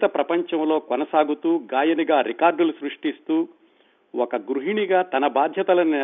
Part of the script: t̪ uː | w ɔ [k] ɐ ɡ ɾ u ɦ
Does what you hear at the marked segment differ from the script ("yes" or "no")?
no